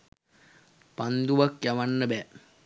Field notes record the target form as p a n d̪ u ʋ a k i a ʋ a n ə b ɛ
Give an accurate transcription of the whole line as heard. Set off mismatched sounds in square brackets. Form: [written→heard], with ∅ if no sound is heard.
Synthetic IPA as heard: p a n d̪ u ʋ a k [i→j] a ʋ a [n→nː] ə b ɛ